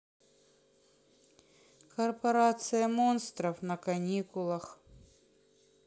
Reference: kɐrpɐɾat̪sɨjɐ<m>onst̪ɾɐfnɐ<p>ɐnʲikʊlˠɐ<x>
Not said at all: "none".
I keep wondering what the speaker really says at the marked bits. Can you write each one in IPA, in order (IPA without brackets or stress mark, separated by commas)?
m, k, x